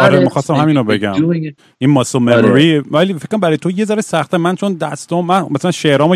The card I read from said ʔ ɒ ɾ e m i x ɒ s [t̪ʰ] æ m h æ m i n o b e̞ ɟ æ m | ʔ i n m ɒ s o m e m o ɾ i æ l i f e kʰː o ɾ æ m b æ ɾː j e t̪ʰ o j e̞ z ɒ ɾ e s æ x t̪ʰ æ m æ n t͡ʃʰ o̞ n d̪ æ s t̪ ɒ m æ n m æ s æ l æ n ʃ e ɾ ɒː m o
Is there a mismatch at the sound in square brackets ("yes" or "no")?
yes